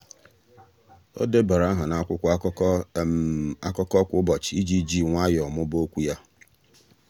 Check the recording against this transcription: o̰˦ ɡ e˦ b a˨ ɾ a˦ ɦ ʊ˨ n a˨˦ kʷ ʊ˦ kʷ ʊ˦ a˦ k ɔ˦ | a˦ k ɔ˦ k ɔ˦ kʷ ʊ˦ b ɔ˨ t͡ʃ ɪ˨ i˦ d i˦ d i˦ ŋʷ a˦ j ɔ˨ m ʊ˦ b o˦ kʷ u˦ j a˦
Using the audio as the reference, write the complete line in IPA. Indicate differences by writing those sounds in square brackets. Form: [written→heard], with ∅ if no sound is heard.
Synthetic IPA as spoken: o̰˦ [ɡ→d] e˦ b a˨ ɾ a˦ ɦ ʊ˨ n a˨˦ kʷ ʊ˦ kʷ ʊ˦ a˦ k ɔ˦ | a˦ k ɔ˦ k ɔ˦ kʷ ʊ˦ b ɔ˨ t͡ʃ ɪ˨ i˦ [d→d͡ʒ] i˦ [d→d͡ʒ] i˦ ŋʷ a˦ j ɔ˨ m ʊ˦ b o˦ kʷ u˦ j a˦